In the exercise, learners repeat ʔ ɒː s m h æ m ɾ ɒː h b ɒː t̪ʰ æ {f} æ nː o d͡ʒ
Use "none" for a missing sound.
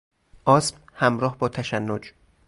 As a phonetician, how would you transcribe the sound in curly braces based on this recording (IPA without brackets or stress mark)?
ʃ